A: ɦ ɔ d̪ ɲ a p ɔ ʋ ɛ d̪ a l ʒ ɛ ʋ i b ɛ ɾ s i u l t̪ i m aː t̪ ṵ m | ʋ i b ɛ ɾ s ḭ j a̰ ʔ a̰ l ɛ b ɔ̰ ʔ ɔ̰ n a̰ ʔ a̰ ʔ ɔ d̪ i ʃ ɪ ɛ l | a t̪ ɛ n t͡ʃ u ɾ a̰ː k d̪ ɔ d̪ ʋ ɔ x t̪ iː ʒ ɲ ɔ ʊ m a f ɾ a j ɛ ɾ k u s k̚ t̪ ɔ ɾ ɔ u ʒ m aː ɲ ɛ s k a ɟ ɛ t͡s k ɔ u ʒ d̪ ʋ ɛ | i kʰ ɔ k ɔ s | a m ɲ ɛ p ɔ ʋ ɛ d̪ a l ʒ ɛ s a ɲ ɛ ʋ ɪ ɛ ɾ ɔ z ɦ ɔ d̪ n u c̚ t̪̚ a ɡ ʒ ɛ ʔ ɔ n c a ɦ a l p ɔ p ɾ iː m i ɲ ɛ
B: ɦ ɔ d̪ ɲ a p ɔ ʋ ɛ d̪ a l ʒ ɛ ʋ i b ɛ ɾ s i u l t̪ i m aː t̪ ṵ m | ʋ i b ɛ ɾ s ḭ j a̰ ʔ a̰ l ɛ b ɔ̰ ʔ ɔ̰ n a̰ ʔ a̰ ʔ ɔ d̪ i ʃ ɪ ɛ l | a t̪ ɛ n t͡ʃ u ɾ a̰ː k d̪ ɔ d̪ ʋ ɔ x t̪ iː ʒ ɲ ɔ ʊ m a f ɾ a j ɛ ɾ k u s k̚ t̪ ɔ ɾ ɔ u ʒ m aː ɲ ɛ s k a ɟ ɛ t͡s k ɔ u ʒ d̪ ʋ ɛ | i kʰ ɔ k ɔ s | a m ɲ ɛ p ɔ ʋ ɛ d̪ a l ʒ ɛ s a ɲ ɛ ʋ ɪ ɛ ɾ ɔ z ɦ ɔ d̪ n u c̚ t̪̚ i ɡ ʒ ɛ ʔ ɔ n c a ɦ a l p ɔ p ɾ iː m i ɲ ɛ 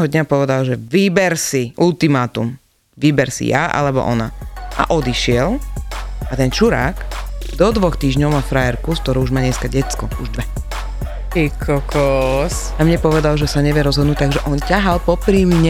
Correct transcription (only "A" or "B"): A